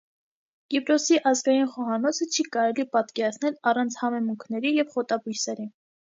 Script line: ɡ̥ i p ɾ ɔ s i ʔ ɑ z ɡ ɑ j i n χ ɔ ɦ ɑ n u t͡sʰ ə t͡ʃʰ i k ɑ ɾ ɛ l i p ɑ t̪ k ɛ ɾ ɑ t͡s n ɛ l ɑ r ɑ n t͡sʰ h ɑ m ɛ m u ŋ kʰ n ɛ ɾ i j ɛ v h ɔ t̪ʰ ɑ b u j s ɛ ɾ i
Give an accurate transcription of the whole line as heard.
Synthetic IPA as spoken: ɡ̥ i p ɾ ɔ s i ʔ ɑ z ɡ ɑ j i n χ ɔ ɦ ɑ n ɔ t͡sʰ ə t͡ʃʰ i k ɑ ɾ ɛ l i p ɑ t̪ k ɛ ɾ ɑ t͡sʰ n ɛ l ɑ r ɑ n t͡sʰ h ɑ m ɛ m u ŋ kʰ n ɛ ɾ i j ɛ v χ ɔ t̪ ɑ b u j s ɛ ɾ i